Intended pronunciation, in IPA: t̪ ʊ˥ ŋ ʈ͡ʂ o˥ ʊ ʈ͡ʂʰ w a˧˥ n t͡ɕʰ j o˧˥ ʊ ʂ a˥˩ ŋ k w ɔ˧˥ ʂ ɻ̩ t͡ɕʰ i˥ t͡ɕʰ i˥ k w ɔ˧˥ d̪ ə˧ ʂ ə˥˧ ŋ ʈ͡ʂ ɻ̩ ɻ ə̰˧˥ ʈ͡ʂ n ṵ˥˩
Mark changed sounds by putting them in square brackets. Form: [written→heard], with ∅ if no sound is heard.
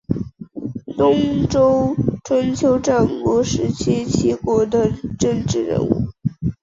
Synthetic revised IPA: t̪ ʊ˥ ŋ ʈ͡ʂ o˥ ʊ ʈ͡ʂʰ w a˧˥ n t͡ɕʰ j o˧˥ ʊ [ʂ→ʈ͡ʂ] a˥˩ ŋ k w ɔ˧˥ ʂ ɻ̩ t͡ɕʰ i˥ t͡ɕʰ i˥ k w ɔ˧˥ d̪ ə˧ [ʂ→ʈ͡ʂ] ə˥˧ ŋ ʈ͡ʂ ɻ̩ ɻ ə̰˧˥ [ʈ͡ʂ→∅] n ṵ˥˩